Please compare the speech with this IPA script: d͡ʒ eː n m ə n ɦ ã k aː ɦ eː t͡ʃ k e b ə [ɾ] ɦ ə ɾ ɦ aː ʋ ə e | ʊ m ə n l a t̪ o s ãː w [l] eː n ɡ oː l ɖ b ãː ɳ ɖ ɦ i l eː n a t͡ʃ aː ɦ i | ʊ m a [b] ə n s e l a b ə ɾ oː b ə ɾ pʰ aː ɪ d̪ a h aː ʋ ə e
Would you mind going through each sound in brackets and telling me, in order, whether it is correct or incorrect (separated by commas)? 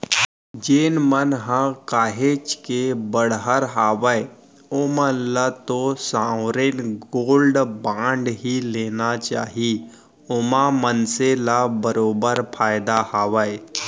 incorrect, incorrect, incorrect